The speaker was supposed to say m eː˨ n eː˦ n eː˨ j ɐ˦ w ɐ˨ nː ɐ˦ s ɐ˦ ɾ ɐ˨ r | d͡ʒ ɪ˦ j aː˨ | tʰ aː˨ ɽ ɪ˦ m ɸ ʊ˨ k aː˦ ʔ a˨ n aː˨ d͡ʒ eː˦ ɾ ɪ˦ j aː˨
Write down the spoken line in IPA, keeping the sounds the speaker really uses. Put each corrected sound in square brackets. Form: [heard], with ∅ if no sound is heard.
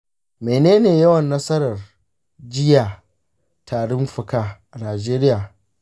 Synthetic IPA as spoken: m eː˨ n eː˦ n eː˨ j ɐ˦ w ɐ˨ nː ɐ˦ s ɐ˦ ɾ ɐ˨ r | d͡ʒ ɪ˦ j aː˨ | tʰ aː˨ ɽ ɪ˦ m ɸ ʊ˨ k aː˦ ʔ a˨ n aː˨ d͡ʒ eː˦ ɾ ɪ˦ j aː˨